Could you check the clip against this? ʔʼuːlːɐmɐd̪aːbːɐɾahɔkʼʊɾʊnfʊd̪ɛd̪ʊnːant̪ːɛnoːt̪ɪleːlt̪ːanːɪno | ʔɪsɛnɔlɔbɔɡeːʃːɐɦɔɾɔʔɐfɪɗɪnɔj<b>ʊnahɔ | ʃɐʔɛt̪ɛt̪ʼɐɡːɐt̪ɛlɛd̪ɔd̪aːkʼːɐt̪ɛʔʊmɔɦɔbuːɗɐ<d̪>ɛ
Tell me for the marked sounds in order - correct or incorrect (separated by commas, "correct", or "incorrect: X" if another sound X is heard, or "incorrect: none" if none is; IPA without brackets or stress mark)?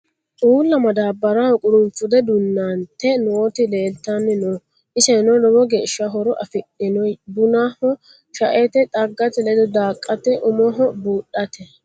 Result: correct, incorrect: t̪